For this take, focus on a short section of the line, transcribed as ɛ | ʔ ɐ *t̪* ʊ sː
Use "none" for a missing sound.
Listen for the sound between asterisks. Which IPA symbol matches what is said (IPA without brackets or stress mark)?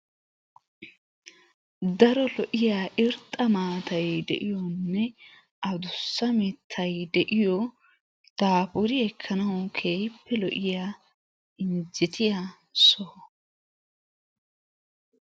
d̪